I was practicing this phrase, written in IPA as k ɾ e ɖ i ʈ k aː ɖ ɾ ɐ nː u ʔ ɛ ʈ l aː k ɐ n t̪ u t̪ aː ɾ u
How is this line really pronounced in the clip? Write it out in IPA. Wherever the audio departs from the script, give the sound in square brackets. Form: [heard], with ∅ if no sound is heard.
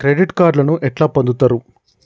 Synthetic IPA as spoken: k ɾ e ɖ i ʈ k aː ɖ [l] ɐ [n] u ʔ ɛ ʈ l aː [p] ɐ n [d̪] u t̪ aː ɾ u